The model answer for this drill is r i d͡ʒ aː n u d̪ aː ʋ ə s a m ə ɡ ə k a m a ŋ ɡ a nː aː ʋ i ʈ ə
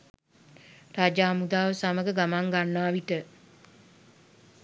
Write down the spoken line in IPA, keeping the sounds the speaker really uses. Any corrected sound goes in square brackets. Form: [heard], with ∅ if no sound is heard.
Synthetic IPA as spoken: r [a] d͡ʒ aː [m] u d̪ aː ʋ ə s a m ə ɡ ə [ɡ] a m a ŋ ɡ a nː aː ʋ i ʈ ə